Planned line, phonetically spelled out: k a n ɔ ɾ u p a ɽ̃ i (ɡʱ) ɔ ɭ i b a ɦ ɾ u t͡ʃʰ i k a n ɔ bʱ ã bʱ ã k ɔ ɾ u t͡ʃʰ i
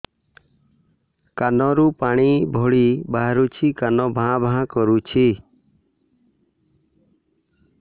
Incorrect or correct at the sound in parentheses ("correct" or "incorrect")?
incorrect